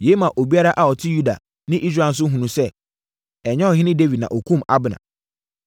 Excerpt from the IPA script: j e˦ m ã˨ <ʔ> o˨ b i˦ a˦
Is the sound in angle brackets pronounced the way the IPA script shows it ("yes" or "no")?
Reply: yes